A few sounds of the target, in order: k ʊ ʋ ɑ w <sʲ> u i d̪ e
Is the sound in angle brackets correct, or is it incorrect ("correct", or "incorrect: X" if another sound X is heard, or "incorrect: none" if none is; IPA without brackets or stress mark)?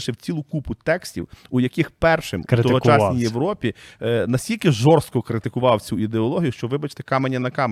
incorrect: t͡sʲ